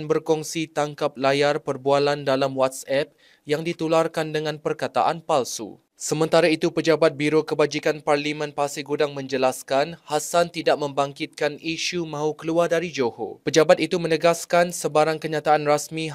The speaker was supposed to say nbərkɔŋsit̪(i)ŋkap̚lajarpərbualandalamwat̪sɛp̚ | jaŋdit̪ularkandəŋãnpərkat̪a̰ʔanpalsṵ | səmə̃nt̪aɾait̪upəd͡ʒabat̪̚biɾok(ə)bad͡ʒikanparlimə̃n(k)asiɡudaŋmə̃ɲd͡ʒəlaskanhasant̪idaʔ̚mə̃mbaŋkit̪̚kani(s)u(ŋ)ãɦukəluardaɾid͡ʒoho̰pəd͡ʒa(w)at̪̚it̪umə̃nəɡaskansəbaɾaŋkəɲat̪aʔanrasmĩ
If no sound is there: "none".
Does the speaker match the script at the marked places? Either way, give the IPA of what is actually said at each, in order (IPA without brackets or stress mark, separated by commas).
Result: a, ə, p, ʃ, m, b